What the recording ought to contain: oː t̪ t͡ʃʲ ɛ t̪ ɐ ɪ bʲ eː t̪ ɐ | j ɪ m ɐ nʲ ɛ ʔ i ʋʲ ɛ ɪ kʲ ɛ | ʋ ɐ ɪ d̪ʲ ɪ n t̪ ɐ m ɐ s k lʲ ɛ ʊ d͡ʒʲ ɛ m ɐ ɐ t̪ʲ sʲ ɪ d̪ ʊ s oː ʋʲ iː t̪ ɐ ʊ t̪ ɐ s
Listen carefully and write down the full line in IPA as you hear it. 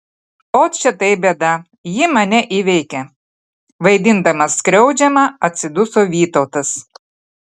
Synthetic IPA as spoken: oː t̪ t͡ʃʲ ɛ t̪ ɐ ɪ bʲ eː d̪ ɐ | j ɪ m ɐ nʲ ɛ ʔ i ʋʲ ɛ ɪ kʲ ɛ | ʋ ɐ ɪ d̪ʲ ɪ n d̪ ɐ m ɐ s k ɾʲ ɛ ʊ d͡ʒʲ ɛ m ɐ ɐ t̪ʲ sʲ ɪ d̪ ʊ s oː ʋʲ iː t̪ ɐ ʊ t̪ ɐ s

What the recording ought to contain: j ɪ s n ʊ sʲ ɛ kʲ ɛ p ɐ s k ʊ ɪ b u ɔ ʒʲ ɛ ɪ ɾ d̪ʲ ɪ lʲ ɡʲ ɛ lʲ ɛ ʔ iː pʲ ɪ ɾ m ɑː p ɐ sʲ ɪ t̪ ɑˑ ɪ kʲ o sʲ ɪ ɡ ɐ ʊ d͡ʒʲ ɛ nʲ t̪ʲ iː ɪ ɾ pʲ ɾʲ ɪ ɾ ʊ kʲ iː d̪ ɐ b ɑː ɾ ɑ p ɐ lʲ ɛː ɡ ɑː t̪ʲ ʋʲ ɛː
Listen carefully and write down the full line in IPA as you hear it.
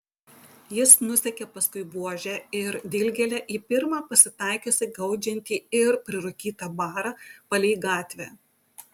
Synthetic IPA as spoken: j ɪ s n ʊ sʲ ɛ kʲ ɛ p ɐ s k ʊ ɪ b u ɔ ʒʲ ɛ ɪ ɾ d̪ʲ ɪ lʲ ɡʲ ɛ lʲ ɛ ʔ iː pʲ ɪ ɾ m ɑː p ɐ sʲ ɪ t̪ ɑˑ ɪ kʲ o sʲ ɪ ɡ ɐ ʊ d͡ʒʲ ɛ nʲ t̪ʲ iː ɪ ɾ pʲ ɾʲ ɪ ɾ ʊ kʲ iː t̪ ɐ b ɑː ɾ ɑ p ɐ lʲ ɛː ɡ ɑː t̪ʲ ʋʲ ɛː

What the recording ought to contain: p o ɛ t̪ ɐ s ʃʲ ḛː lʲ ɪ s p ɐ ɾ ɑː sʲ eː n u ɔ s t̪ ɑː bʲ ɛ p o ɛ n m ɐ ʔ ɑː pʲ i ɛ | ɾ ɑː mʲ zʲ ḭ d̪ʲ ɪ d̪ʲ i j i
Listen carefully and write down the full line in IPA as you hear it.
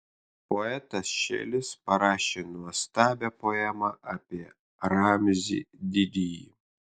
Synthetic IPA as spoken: p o ɛ t̪ ɐ s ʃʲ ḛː lʲ ɪ s p ɐ ɾ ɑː ʃʲ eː n u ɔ s t̪ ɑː bʲ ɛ p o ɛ m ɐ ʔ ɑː pʲ i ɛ | ɾ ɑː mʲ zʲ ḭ d̪ʲ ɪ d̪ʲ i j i

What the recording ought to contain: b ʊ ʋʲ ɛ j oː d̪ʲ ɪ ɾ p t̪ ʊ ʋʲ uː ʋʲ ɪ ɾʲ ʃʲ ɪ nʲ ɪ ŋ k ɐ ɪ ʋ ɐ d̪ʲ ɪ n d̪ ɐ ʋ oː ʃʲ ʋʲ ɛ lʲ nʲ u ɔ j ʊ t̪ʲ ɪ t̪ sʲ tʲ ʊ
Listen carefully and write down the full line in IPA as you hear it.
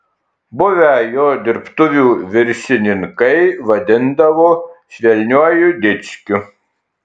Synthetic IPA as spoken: b ʊ ʋʲ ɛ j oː d̪ʲ ɪ ɾ p t̪ ʊ ʋʲ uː ʋʲ ɪ ɾʲ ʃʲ ɪ nʲ ɪ ŋ k ɐ ɪ ʋ ɐ d̪ʲ ɪ n d̪ ɐ ʋ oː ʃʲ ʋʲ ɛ lʲ nʲ u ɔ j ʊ d̪ʲ ɪ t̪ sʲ kʲ ʊ

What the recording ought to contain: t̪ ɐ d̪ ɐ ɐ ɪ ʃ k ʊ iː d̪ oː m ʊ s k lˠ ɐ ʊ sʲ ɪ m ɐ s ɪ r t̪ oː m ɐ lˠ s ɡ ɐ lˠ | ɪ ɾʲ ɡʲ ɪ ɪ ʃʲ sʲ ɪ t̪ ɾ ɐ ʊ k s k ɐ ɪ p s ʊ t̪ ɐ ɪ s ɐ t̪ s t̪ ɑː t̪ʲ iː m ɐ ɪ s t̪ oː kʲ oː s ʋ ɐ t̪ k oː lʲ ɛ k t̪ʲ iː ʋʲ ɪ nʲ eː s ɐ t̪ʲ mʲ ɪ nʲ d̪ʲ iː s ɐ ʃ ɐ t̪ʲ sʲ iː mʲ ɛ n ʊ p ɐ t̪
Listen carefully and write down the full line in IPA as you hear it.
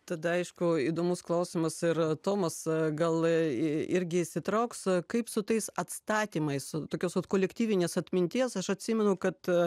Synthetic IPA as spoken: t̪ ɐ d̪ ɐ ɐ ɪ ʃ k ʊ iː d̪ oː m ʊ s k lˠ ɐ ʊ sʲ ɪ m ɐ s ɪ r t̪ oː m ɐ s ɡ ɐ lˠ | ɪ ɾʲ ɡʲ ɪ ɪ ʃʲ sʲ ɪ t̪ ɾ ɐ ʊ k s k ɐ ɪ p s ʊ t̪ ɐ ɪ s ɐ t̪ s t̪ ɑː t̪ʲ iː m ɐ ɪ s t̪ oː kʲ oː s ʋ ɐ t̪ k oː lʲ ɛ k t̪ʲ iː ʋʲ ɪ nʲ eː s ɐ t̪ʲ mʲ ɪ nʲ t̪ʲ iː s ɐ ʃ ɐ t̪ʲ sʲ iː mʲ ɛ n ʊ k ɐ t̪

